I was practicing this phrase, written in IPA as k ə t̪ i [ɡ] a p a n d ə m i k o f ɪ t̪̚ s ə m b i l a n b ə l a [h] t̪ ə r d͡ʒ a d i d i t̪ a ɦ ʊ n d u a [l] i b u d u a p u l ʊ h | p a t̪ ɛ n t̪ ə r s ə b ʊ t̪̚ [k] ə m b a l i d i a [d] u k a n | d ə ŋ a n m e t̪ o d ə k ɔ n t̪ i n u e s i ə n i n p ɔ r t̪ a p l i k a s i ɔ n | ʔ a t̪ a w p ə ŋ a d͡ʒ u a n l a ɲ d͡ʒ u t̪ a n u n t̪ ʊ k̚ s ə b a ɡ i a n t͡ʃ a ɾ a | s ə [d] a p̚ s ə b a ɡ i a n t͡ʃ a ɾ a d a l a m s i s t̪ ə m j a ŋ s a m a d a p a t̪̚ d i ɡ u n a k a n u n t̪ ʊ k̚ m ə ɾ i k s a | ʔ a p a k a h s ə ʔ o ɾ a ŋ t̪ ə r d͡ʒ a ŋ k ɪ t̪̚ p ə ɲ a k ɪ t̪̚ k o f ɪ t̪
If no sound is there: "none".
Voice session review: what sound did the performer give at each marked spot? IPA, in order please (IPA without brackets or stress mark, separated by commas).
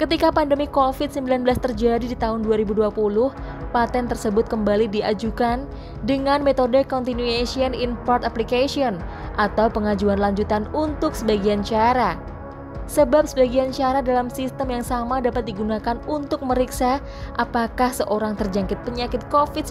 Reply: k, s, ɾ, k, d͡ʒ, b